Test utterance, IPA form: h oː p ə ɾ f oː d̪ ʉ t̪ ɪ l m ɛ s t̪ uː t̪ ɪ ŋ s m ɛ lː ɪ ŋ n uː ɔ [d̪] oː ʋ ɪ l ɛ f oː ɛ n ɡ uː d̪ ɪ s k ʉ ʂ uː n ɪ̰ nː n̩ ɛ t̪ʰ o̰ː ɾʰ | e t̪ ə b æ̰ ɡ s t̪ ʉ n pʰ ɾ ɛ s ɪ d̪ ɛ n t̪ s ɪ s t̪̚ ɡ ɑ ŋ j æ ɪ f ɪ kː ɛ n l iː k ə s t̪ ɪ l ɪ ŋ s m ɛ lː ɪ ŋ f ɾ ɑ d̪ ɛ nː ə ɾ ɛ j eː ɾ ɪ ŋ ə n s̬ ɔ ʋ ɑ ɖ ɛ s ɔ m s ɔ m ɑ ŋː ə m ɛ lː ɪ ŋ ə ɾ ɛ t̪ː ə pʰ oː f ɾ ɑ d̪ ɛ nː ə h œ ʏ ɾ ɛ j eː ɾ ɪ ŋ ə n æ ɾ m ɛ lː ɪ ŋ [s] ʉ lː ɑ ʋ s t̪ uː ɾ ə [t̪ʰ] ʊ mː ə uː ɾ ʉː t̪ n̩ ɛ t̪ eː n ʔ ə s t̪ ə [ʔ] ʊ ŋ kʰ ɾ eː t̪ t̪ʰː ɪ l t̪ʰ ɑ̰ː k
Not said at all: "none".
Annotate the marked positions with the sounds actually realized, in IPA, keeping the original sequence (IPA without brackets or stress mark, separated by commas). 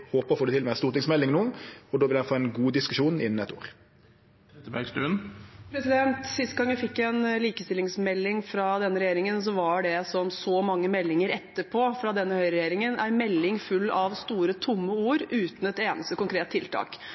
d̪, f, t̪ʰ, k